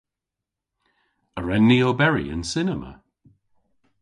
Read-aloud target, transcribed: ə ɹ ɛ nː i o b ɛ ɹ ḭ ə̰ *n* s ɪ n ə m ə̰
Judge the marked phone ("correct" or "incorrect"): correct